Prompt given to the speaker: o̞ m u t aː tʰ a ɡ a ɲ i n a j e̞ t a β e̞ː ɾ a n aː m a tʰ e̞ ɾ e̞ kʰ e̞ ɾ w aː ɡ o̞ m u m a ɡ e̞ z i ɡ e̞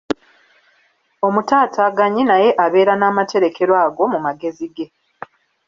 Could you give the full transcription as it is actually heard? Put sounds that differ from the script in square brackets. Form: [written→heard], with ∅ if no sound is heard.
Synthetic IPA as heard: o̞ m u t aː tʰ a ɡ a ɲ i n a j e̞ [t→ʔ] a β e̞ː ɾ a n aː m a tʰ e̞ ɾ e̞ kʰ e̞ ɾ w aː ɡ o̞ m u m a ɡ e̞ z i ɡ e̞